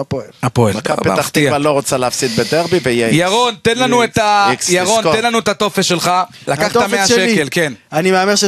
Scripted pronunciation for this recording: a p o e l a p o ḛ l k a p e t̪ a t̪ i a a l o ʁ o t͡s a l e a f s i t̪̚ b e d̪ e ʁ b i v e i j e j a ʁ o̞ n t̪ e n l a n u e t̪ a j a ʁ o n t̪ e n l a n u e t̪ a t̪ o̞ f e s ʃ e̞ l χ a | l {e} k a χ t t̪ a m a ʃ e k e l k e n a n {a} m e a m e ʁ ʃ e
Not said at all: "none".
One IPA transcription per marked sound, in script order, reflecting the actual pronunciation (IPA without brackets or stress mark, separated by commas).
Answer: a, i